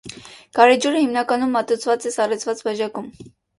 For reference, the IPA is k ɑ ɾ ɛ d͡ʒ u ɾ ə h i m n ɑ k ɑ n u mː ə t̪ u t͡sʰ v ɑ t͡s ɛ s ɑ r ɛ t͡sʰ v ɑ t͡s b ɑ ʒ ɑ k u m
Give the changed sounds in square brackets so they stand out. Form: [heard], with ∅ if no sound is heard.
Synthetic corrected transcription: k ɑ ɾ ɛ d͡ʒ u ɾ ə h i m n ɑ k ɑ n u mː [ɑ] t̪ u t͡sʰ v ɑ t͡s ɛ s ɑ r ɛ t͡sʰ v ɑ t͡s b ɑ ʒ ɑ k u m